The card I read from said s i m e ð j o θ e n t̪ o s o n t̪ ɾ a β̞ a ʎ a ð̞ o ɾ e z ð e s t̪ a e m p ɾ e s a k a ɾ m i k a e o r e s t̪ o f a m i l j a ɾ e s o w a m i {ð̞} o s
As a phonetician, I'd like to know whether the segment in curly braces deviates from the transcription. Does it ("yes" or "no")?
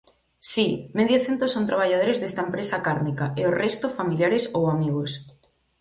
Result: yes